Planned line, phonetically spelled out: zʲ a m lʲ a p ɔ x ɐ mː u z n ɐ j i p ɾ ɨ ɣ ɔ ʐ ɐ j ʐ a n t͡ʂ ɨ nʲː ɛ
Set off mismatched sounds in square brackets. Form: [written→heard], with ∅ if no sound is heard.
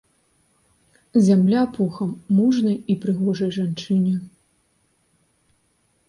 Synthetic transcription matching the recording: zʲ a m lʲ a p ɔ x ɐ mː u [z→ʐ] n ɐ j i p ɾ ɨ ɣ ɔ ʐ ɐ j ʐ a n t͡ʂ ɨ [nʲː→nʲ] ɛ